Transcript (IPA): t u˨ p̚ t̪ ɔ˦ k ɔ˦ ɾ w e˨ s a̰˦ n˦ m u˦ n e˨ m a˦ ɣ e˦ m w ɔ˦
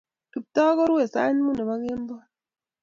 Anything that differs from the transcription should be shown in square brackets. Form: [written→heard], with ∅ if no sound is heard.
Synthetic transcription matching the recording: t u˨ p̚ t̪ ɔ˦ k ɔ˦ ɾ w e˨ s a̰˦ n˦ m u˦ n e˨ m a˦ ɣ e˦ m [w→b] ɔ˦